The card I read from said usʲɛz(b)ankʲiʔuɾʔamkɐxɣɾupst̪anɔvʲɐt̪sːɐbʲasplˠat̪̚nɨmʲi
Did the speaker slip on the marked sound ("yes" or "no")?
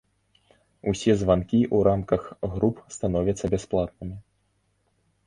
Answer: yes